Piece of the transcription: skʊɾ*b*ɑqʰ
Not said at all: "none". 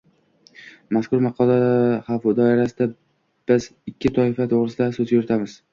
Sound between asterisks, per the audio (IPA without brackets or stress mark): m